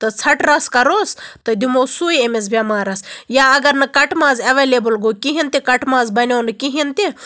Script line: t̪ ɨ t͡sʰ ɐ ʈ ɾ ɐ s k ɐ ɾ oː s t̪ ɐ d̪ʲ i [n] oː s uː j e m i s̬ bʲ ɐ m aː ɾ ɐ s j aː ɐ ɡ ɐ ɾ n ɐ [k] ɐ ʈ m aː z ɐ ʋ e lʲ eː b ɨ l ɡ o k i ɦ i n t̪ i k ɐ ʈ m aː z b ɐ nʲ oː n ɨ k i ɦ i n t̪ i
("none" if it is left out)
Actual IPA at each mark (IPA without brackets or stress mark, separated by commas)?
m, k